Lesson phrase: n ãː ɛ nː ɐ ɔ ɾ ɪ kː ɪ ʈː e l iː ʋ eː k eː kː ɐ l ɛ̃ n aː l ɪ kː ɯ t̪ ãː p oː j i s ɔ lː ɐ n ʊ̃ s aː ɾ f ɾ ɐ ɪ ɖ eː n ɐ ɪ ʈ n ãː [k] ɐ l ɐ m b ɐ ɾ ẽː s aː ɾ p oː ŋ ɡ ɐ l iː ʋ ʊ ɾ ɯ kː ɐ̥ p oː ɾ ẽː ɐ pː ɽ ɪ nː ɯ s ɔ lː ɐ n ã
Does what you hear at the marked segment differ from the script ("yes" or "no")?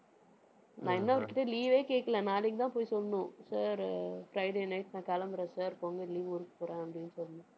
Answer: no